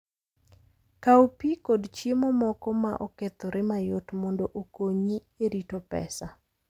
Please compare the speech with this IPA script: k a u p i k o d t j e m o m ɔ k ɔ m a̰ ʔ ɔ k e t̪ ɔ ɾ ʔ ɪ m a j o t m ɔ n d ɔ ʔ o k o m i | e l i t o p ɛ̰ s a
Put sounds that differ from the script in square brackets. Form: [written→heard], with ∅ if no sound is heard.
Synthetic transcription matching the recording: k a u p i k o d [t→t͡ʃ] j e m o m ɔ k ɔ m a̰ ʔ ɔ k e t̪ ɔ ɾ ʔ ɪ m a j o t m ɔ n d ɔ ʔ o k o [m→ɲ] i | e [l→ɾ] i t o p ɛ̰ s a